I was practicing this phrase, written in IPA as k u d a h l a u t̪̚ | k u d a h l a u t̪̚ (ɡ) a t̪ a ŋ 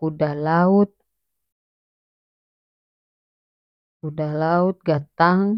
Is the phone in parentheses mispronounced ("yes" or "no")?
no